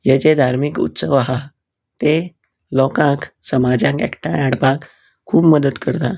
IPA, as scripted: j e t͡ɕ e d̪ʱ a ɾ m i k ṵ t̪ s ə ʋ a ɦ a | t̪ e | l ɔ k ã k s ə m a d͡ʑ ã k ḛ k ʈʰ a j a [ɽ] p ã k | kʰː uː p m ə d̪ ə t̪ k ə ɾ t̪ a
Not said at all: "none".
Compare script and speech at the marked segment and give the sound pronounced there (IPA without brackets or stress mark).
ɽ